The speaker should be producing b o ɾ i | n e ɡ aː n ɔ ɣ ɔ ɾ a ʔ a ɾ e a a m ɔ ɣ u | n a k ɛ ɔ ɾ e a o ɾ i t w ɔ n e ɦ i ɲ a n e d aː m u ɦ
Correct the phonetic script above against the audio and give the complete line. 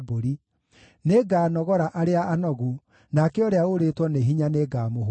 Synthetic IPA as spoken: b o ɾ i | n e ɡ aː n ɔ ɣ ɔ ɾ a ʔ a ɾ e a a n ɔ ɣ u | n a k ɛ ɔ ɾ e a o ɾ e t w ɔ n e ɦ i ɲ a n e ɡ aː m o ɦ